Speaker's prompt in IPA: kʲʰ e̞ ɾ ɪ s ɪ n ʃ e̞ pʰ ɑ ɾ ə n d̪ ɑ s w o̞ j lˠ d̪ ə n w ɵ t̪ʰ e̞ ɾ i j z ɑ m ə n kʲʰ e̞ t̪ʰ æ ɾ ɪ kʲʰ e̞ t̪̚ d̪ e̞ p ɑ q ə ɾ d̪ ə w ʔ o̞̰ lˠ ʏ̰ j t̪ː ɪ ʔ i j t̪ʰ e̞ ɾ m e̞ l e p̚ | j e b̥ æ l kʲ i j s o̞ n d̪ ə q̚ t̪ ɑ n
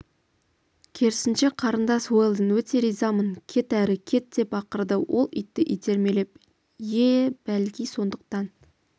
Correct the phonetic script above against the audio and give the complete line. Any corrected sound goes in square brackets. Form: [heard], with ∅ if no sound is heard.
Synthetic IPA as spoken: kʲʰ e̞ ɾ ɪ s ɪ n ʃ e̞ [qʰ] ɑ ɾ ə n d̪ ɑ s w o̞ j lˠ d̪ ə n w ɵ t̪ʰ e̞ ɾ i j z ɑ m ə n kʲʰ e̞ [t̪] æ ɾ ɪ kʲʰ e̞ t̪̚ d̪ e̞ p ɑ q ə ɾ d̪ ə w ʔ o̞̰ lˠ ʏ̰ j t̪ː ɪ ʔ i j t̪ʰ e̞ ɾ m e̞ l e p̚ | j e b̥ æ l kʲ i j s o̞ n d̪ ə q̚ t̪ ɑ n

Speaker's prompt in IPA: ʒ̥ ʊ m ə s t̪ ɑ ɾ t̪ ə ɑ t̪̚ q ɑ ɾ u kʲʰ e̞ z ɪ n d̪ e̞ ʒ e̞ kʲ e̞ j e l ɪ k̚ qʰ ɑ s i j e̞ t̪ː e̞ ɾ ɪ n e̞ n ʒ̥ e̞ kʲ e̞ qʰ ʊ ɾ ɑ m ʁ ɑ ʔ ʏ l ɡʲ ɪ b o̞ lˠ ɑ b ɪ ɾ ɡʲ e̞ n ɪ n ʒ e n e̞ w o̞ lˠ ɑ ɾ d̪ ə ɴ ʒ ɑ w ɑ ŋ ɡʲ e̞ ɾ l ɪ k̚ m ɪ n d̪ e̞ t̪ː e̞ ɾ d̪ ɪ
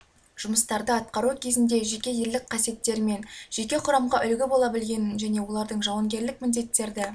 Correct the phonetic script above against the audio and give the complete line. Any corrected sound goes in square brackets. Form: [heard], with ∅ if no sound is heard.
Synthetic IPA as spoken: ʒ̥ ʊ m ə s t̪ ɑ ɾ [d̪] ə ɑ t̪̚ q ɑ ɾ u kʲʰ e̞ z ɪ n d̪ e̞ ʒ e̞ kʲ e̞ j e l ɪ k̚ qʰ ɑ s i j e̞ t̪ː e̞ ɾ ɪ [m] e̞ n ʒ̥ e̞ kʲ e̞ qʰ ʊ ɾ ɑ m ʁ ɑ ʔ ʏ l ɡʲ ɪ b o̞ lˠ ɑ b ɪ [l] ɡʲ e̞ n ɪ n ʒ [æ] n e̞ w o̞ lˠ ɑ ɾ d̪ ə ɴ ʒ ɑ w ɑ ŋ ɡʲ e̞ ɾ l ɪ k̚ m ɪ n d̪ e̞ t̪ː e̞ ɾ d̪ ɪ

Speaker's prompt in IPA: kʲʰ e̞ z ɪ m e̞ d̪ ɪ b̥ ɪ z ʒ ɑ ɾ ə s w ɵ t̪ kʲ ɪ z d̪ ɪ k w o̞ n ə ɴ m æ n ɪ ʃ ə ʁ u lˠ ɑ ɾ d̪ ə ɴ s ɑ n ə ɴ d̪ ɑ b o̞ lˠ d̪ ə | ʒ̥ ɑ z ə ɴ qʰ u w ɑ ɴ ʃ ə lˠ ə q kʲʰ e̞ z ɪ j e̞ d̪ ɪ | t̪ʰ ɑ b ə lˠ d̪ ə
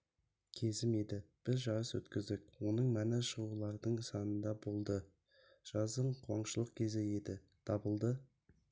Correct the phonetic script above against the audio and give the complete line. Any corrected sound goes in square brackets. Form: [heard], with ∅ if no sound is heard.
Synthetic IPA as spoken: kʲʰ e̞ z ɪ m e̞ d̪ ɪ b̥ ɪ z ʒ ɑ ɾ ə s w ɵ t̪ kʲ ɪ z d̪ ɪ k w o̞ n ə ɴ m æ n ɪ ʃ ə ʁ u lˠ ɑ ɾ d̪ ə ɴ s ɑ n ə [n] d̪ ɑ b o̞ lˠ d̪ ə | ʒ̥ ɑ z ə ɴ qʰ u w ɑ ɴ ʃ ə lˠ ə q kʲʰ e̞ z ɪ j e̞ d̪ ɪ | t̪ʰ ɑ b ə lˠ d̪ ə

